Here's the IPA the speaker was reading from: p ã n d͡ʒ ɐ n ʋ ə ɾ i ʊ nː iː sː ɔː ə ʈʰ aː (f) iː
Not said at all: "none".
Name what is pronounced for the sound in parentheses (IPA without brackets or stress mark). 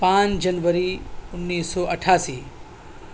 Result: s